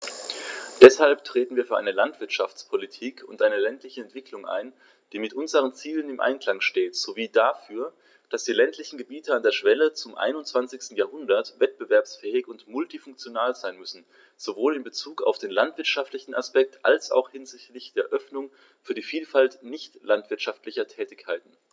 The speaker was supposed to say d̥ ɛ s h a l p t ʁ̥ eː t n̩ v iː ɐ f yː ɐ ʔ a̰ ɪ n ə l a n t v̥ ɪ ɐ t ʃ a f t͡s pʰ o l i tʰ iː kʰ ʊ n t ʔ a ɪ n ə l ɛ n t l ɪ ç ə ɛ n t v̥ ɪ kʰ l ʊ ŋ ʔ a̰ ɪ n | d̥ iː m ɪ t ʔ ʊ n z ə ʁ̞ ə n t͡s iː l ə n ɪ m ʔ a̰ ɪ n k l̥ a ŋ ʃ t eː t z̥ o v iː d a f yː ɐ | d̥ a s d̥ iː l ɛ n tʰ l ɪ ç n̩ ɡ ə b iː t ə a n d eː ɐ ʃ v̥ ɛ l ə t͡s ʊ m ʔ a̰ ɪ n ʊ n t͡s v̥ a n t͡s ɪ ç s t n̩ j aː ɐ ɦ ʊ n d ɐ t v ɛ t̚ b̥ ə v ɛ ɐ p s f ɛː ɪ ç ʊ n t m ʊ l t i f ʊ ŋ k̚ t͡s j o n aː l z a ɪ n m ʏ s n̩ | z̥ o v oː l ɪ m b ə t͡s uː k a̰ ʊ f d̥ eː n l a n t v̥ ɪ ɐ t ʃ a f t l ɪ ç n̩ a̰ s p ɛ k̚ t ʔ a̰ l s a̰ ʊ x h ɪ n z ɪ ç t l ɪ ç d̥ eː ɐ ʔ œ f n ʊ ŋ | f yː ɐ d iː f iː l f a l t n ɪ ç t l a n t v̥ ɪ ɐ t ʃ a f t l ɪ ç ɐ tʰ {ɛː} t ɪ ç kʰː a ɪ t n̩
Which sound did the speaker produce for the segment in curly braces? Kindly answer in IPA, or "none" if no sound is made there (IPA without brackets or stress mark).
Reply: ɛː